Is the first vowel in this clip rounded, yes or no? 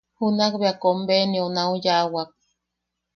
yes